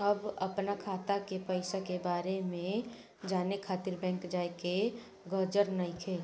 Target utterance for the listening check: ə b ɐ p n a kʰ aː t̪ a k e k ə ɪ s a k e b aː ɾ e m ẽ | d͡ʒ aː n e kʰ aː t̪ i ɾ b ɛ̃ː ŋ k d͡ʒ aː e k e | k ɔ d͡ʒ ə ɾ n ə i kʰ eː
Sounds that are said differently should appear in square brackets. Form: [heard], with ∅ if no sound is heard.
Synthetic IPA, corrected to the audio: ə b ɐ p n a kʰ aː t̪ a k e [p] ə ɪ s a k e b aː ɾ e m ẽ | d͡ʒ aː n e kʰ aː t̪ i ɾ b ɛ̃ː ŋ k d͡ʒ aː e k e | [ɡ] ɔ d͡ʒ ə ɾ n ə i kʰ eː